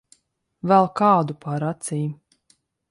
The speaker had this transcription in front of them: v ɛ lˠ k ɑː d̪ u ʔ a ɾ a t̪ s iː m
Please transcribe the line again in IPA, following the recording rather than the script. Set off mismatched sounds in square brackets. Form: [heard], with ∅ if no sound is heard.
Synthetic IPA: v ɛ lˠ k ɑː d̪ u [p] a ɾ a t̪ s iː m